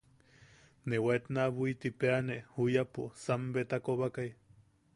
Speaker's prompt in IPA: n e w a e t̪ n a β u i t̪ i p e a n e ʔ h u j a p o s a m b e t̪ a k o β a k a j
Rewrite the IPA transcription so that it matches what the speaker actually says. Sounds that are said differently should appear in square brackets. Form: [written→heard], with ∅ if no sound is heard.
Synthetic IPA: n e w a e t̪ n a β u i t̪ i p e a n e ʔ h u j a p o s a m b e t̪ a k o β a k a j

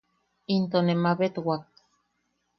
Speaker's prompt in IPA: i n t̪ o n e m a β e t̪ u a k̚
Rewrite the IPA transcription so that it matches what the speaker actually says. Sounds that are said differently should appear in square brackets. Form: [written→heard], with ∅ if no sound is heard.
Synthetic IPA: i n t̪ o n e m a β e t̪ [u→w] a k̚

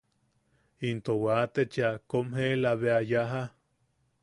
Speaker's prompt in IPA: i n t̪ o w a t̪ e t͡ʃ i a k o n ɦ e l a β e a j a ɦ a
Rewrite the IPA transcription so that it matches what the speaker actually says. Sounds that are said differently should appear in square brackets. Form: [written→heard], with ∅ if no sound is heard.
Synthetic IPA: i n t̪ o w a t̪ e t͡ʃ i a k o [n→m] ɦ e l a β e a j a ɦ a

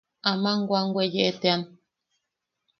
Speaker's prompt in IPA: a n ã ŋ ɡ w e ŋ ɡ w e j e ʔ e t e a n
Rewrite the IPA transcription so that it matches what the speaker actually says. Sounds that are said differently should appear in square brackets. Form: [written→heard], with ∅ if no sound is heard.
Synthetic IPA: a [n→m] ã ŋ ɡ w [e→a] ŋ ɡ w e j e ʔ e t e a n

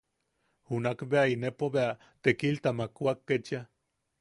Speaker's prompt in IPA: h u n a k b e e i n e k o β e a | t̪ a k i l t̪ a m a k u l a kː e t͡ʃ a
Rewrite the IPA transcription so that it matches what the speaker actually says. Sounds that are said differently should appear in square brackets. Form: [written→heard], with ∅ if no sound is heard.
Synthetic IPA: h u n a k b e [e→a] i n e [k→p] o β e a | t̪ [a→e] k i l t̪ a m a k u [l→∅] a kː e t͡ʃ a

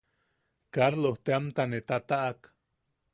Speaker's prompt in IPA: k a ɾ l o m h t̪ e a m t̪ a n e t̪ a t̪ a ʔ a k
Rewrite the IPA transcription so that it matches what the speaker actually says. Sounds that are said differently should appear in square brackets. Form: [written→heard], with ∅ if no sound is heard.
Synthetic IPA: k a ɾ l o [m→∅] h t̪ e a m t̪ a n e t̪ a t̪ a ʔ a k

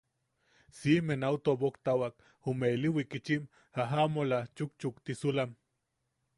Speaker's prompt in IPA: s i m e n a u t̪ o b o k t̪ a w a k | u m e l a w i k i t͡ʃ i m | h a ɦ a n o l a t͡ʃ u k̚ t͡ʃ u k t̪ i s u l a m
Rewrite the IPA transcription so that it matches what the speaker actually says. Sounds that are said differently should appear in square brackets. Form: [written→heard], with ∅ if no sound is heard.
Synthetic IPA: s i m e n a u t̪ o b o k t̪ a w a k | u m e l [a→i] w i k i t͡ʃ i m | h a ɦ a [n→m] o l a t͡ʃ u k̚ t͡ʃ u k t̪ i s u l a m

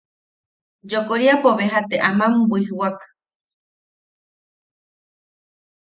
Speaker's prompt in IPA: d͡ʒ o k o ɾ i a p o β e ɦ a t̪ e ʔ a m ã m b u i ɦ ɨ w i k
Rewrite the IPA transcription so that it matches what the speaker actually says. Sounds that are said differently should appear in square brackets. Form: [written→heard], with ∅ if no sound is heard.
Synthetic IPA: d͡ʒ o k o ɾ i a p o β e ɦ a t̪ e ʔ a m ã m b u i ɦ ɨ w [i→a] k

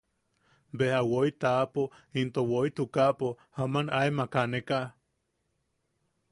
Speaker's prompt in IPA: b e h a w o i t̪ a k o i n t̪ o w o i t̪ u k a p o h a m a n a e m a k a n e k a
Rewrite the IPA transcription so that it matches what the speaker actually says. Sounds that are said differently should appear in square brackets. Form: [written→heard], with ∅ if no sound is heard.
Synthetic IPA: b e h a w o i t̪ a [k→p] o i n t̪ o w o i t̪ u k a p o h a m a n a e m a k a n e k a

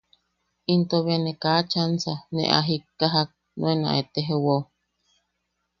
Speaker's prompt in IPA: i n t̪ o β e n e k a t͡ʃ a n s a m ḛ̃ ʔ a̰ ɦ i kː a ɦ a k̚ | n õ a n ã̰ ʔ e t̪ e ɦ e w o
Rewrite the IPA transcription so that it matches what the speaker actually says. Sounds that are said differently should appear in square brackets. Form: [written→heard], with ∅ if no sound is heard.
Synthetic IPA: i n t̪ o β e n e k a t͡ʃ a n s a [m→n] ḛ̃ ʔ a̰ ɦ i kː a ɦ a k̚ | n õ [a→e] n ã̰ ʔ e t̪ e ɦ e w o

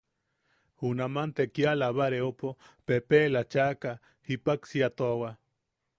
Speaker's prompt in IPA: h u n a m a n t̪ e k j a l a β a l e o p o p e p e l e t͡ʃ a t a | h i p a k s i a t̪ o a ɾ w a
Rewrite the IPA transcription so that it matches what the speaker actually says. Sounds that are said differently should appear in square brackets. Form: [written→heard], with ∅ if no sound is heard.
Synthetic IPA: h u n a m a n t̪ e k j a l a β a [l→ɾ] e o p o p e p e l [e→a] t͡ʃ a [t→k] a | h i p a k s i a t̪ o a [ɾ→∅] w a

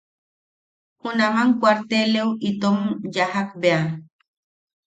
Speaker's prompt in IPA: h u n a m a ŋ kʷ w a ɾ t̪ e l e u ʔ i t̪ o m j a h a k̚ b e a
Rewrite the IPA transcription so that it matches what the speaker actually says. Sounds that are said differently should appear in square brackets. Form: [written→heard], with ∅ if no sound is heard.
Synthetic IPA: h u n a m a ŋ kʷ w a ɾ t̪ e l e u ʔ i t̪ o m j a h a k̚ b e a

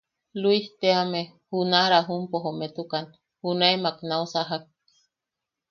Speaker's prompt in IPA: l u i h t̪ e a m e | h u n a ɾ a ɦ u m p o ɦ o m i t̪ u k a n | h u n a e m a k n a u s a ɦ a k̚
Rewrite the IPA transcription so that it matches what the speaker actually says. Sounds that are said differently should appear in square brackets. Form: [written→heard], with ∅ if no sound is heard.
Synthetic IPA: l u i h t̪ e a m e | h u n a ɾ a ɦ u m p o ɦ o m [i→e] t̪ u k a n | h u n a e m a k n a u s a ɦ a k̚

